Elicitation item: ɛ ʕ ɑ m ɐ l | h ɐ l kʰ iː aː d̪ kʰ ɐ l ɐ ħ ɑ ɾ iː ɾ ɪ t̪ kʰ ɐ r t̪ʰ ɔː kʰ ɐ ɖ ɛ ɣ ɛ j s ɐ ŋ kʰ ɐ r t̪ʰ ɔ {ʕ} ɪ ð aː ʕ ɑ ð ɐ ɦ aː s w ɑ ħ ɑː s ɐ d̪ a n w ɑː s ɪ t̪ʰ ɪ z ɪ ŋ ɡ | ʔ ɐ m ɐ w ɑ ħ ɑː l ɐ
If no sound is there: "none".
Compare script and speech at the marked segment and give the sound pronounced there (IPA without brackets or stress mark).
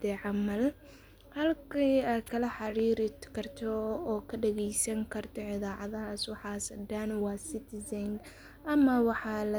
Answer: ʕ